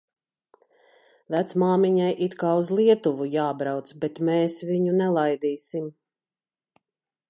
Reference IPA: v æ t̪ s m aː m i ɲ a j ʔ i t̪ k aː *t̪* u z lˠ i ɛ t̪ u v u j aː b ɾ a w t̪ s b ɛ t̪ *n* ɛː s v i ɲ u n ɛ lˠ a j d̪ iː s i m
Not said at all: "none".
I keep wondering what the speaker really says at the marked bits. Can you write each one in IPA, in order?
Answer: none, m

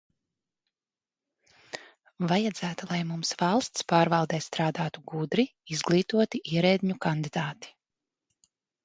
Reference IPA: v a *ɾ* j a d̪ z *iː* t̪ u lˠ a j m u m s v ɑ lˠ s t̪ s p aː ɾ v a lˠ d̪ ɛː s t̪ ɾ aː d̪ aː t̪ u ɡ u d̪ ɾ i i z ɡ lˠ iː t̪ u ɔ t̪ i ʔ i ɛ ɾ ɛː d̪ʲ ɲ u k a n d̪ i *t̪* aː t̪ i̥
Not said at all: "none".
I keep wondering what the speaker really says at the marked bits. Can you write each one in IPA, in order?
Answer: none, æː, d̪

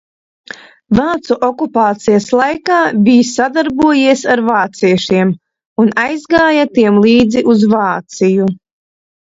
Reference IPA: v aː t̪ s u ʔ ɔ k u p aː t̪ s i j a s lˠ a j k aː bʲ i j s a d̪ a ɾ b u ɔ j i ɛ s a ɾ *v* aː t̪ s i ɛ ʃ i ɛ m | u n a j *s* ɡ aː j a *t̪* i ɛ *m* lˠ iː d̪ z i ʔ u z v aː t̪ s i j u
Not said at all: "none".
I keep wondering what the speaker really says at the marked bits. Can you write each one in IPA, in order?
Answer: v, z, t̪, m

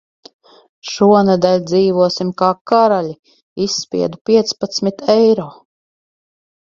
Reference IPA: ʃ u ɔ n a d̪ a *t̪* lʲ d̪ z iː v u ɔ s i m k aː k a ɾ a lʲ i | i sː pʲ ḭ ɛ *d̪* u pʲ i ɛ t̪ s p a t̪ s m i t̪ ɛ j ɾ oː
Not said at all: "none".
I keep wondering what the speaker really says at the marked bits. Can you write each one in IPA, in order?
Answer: none, d̪

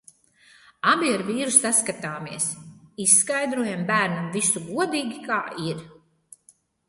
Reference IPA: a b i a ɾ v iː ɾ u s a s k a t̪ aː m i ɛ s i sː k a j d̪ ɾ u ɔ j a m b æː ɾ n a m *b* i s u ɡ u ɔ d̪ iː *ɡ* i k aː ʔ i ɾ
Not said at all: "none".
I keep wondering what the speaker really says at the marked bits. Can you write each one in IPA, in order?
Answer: v, ɡ

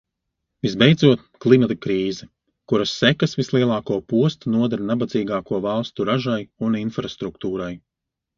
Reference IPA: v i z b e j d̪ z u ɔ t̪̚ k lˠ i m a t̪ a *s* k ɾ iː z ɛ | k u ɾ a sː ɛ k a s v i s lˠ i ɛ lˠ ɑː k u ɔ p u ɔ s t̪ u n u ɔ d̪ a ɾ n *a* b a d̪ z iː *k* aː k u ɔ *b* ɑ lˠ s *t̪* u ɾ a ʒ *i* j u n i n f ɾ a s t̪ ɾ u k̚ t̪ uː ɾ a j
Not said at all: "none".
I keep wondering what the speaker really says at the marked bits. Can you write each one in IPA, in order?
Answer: none, a, ɡ, v, t̪, a

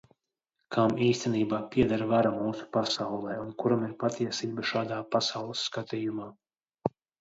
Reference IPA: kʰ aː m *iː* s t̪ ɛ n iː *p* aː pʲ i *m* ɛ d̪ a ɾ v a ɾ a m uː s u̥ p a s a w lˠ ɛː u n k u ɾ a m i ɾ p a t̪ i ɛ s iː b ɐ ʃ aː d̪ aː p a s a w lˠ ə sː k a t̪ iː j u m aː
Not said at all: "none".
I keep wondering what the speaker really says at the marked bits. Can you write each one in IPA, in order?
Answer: iː, b, none

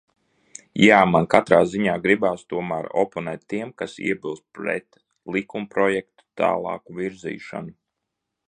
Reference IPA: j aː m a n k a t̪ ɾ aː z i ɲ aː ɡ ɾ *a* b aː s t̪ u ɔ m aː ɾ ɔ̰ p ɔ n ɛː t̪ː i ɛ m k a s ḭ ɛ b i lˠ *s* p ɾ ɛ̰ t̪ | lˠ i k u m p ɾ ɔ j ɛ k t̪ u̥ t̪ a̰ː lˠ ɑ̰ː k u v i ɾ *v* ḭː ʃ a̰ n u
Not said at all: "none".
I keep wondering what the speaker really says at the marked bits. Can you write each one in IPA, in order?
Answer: i, s, z

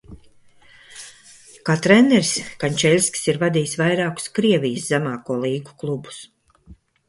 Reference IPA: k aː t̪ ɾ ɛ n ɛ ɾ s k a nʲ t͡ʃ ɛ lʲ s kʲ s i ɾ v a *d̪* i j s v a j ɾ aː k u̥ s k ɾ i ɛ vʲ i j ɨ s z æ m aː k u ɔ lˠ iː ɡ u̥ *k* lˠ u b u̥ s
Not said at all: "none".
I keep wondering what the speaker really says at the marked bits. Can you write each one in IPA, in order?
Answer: d̪, k

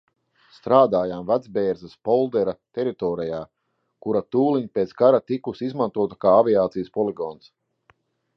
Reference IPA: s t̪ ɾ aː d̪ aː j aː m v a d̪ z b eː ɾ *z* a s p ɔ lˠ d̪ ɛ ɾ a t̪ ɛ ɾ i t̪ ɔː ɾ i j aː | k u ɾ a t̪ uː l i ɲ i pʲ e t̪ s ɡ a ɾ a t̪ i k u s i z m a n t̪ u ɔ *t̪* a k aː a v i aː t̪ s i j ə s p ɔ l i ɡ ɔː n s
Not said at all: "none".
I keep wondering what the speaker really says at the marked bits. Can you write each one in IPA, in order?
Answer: z, t̪

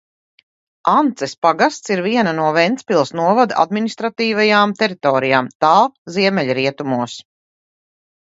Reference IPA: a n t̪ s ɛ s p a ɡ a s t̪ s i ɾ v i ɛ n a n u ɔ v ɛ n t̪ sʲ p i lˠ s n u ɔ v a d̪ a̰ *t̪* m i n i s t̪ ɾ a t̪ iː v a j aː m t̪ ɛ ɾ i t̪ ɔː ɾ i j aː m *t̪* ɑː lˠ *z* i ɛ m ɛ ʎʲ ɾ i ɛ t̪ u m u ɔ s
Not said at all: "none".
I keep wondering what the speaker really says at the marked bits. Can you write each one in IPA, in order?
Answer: d̪, t̪, z

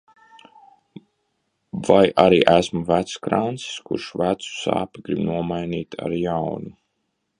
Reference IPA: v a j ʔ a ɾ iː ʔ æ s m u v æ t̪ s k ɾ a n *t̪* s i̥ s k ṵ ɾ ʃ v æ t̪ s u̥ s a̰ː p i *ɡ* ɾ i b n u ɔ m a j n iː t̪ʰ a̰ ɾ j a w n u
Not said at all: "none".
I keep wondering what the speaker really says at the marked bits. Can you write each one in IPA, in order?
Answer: t̪, ɡ

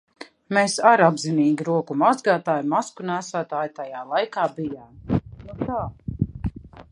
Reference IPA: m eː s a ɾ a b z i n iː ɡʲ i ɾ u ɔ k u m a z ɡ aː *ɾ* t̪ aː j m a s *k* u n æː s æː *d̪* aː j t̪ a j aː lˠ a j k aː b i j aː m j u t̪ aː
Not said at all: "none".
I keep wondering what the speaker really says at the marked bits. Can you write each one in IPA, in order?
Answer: none, k, t̪

